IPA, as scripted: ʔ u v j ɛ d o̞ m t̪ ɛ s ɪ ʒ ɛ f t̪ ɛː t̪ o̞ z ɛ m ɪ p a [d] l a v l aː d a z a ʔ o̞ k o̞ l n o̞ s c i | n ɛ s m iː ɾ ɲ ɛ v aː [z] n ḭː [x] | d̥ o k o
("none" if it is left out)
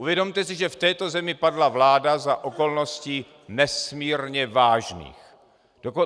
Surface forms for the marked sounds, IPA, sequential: d, ʒ, x

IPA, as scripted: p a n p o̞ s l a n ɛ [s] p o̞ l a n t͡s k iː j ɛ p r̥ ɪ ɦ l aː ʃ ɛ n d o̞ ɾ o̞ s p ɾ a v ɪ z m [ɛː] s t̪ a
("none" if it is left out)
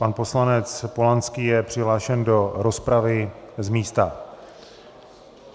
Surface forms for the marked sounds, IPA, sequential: t͡s, iː

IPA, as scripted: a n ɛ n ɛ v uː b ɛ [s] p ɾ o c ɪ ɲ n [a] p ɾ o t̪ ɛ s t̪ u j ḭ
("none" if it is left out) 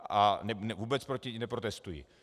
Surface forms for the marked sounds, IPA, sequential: t͡s, ɛ

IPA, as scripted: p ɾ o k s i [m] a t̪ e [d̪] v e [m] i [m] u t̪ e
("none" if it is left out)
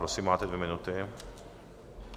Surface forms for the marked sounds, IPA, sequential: m, d̪, m, n

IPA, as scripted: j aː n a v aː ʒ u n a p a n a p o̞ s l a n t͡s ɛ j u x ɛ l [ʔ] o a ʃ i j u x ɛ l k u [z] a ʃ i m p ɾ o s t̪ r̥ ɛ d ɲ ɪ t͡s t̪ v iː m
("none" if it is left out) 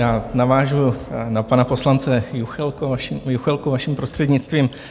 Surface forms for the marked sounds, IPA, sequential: k, v

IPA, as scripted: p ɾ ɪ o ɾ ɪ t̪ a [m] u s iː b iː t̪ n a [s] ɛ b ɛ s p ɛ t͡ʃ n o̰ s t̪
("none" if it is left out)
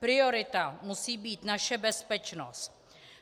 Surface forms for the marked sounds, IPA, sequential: m, ʃ

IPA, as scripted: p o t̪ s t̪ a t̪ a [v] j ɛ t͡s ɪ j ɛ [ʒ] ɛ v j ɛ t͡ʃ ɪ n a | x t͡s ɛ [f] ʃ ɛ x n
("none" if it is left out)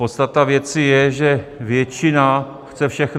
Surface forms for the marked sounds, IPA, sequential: v, ʒ, f

